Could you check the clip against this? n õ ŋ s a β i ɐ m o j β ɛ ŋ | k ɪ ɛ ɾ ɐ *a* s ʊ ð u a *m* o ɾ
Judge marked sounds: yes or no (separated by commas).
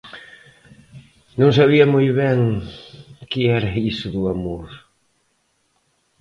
no, yes